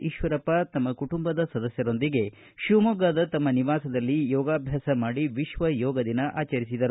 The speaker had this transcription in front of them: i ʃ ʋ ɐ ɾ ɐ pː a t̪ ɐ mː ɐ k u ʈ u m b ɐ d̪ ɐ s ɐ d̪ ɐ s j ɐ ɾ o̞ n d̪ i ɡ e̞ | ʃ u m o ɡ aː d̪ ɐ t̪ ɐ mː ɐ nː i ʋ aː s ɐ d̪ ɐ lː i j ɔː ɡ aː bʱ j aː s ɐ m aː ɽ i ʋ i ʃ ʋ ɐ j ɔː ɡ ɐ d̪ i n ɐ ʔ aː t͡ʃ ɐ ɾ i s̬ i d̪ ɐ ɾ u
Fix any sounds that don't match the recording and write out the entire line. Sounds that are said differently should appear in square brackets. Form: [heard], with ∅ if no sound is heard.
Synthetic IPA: i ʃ ʋ ɐ ɾ ɐ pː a t̪ ɐ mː ɐ k u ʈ u m b ɐ d̪ ɐ s ɐ d̪ ɐ s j ɐ ɾ o̞ n d̪ i ɡ e̞ | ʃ u m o ɡ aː d̪ ɐ t̪ ɐ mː ɐ [n] i ʋ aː s ɐ d̪ ɐ lː i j ɔː ɡ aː bʱ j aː s ɐ m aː ɽ i ʋ i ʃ ʋ ɐ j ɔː ɡ ɐ d̪ i n ɐ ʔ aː t͡ʃ ɐ ɾ i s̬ i d̪ ɐ ɾ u